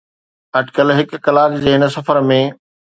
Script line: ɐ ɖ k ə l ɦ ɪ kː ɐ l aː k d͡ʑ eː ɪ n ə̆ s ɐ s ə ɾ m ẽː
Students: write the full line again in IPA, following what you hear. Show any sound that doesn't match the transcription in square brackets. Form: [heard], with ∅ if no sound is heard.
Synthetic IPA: ɐ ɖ k ə l ɦ ɪ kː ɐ l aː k d͡ʑ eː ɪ n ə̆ s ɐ [f] ə ɾ m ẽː